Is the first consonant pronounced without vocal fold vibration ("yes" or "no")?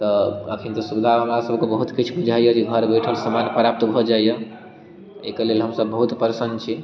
yes